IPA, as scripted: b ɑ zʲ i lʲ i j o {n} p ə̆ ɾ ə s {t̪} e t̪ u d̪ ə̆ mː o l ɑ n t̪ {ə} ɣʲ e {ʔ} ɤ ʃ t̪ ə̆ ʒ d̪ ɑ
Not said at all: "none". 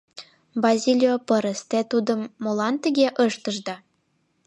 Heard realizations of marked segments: none, t̪, ə, ʔ

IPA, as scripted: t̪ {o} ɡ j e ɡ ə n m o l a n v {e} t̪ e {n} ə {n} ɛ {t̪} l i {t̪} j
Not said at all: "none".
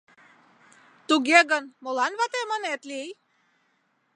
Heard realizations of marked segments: u, a, m, n, t̪, none

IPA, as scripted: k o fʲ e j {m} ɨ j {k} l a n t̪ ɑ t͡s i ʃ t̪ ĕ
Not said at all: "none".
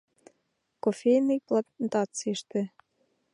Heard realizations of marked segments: n, p

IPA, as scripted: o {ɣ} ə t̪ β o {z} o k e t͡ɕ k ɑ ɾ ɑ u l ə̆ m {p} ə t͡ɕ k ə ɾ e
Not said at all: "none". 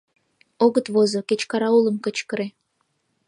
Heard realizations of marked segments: ɣ, z, k

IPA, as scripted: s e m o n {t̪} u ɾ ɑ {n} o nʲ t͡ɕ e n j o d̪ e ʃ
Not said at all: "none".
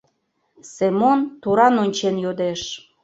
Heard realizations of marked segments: t̪, n

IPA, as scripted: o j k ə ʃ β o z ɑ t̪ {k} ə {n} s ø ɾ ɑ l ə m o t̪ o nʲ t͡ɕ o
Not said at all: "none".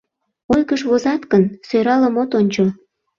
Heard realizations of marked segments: k, n

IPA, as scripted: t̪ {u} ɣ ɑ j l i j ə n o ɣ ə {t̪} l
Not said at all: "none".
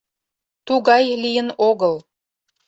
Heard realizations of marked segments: u, none

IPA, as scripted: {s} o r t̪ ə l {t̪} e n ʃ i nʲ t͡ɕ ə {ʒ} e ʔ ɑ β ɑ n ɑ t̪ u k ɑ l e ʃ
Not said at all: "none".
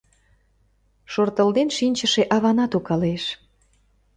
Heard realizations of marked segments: ʃ, d̪, ʃ

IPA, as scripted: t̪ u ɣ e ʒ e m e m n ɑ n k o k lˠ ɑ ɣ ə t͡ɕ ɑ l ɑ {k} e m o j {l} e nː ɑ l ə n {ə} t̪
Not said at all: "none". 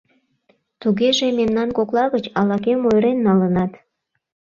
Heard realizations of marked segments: k, ɾ, ɑ

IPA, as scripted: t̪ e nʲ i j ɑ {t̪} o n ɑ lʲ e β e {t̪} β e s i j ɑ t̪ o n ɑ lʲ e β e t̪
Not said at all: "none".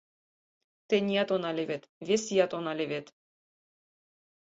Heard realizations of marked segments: t̪, t̪

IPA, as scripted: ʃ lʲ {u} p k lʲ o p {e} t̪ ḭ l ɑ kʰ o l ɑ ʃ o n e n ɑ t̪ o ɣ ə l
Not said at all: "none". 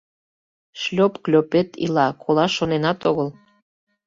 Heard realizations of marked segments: o, e

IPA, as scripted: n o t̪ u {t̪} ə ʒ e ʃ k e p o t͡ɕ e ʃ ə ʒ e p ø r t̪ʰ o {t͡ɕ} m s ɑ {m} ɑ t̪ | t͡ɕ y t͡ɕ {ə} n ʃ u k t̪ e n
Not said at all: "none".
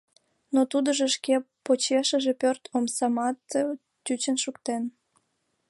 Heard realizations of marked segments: d̪, none, m, ə

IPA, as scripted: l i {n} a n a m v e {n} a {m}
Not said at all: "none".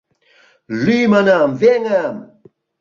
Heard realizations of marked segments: m, ŋ, m

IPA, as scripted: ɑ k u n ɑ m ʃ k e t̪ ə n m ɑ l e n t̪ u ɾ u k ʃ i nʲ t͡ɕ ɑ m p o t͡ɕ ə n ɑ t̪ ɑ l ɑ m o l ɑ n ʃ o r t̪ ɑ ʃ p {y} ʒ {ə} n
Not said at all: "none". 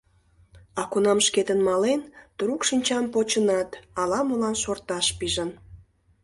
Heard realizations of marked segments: i, ə

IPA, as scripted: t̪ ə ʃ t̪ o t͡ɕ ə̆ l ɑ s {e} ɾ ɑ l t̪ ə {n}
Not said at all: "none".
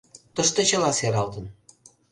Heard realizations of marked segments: e, n

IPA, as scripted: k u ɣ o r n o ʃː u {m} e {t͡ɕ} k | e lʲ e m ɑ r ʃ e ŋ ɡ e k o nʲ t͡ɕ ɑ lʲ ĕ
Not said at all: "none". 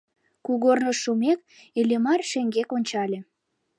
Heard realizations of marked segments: m, none

